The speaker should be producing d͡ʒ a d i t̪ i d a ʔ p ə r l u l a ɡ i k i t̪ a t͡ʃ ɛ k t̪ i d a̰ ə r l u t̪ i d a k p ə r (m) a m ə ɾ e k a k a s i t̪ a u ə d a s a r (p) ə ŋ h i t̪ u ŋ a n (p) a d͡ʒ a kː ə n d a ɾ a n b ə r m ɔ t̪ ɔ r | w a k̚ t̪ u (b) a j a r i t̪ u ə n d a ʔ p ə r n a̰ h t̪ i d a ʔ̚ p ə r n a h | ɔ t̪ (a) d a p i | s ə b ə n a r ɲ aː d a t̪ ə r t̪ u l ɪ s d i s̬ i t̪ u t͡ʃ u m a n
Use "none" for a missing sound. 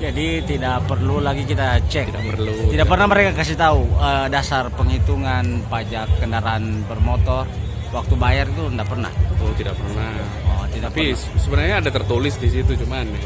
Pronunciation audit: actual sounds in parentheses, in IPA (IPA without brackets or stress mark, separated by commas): n, p, p, b, i